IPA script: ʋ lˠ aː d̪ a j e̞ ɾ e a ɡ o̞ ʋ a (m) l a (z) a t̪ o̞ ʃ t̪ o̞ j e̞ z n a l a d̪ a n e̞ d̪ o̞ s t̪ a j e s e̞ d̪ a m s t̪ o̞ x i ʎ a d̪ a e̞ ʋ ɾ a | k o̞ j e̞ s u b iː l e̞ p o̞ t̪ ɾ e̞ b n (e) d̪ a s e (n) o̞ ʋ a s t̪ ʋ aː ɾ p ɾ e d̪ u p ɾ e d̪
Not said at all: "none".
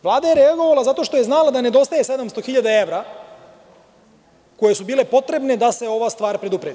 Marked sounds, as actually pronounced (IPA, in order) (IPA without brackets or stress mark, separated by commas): none, z, e, none